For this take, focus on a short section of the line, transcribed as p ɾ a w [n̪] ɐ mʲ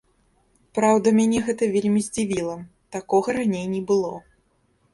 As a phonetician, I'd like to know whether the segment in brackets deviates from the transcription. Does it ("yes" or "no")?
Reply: yes